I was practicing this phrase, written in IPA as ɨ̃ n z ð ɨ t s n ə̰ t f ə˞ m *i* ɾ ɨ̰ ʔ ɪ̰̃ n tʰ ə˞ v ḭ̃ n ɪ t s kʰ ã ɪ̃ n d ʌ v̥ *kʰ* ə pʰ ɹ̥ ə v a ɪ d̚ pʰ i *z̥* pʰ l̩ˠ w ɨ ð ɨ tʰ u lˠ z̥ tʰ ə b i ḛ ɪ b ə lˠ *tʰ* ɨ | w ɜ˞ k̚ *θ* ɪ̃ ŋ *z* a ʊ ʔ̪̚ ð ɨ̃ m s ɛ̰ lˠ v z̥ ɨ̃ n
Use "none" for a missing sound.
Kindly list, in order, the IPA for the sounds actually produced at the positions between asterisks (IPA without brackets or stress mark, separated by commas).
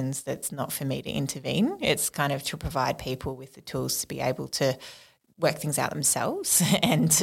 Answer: i, tʰ, none, tʰ, θ, z